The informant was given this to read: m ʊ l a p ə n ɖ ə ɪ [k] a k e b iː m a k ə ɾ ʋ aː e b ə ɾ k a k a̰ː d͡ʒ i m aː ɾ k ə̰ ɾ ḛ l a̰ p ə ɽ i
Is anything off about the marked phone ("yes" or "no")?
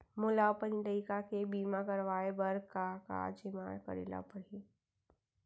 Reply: no